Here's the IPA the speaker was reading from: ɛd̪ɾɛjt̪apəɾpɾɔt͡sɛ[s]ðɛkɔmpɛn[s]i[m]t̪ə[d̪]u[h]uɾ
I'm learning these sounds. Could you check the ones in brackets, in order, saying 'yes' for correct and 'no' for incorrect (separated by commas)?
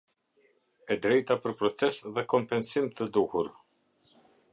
yes, yes, yes, yes, yes